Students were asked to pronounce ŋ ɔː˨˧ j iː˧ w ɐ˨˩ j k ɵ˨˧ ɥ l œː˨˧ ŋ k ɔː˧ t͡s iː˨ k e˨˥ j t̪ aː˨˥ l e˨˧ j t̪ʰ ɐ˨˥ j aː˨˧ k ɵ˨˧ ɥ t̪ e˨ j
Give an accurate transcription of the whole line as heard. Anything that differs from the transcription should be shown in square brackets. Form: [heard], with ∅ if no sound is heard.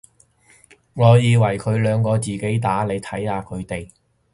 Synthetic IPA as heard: ŋ ɔː˨˧ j iː˧ w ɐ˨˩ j [kʰ] ɵ˨˧ ɥ l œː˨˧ ŋ k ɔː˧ t͡s iː˨ k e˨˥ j t̪ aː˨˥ l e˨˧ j t̪ʰ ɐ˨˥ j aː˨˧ [kʰ] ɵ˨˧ ɥ t̪ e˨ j

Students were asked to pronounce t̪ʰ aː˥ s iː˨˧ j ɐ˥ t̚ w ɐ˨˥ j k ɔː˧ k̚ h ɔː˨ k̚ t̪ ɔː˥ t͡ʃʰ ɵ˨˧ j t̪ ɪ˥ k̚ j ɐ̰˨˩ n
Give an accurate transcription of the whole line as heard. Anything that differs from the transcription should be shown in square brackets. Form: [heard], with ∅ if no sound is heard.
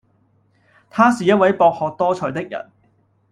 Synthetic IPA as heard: t̪ʰ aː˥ s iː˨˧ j ɐ˥ t̚ w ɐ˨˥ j [p] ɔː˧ k̚ h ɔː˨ k̚ t̪ ɔː˥ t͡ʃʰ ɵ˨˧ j t̪ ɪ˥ k̚ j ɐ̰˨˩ n

